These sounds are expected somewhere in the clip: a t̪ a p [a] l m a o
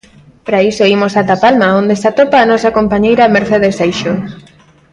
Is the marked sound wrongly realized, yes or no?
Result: no